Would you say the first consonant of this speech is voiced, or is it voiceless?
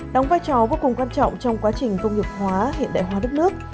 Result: voiced